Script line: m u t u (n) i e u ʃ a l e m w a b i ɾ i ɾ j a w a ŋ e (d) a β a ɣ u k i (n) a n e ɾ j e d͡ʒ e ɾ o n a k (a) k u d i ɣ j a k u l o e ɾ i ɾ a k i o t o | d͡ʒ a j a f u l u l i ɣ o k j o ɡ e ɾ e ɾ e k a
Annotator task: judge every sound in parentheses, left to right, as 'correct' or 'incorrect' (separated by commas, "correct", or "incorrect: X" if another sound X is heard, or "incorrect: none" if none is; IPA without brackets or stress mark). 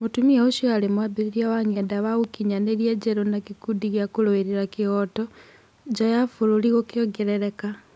incorrect: m, correct, incorrect: ɲ, incorrect: i